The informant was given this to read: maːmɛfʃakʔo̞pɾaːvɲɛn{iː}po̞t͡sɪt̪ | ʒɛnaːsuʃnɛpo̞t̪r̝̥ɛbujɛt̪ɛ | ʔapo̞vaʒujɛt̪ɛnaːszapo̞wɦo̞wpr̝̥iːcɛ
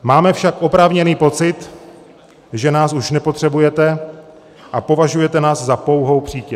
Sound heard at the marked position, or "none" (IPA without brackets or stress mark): iː